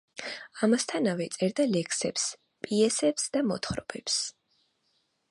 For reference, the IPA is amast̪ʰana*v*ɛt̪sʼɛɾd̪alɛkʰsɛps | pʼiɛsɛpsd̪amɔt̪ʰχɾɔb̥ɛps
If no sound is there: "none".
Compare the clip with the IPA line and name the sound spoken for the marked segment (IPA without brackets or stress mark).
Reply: v